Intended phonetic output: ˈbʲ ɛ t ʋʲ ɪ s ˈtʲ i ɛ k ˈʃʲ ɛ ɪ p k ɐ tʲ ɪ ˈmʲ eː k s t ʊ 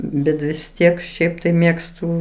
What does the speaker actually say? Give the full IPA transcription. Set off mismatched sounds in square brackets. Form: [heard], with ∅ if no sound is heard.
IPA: ˈbʲ ɛ t ʋʲ ɪ s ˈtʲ i ɛ k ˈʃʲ ɛ ɪ p [t] ɐ [∅] ɪ ˈmʲ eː k s t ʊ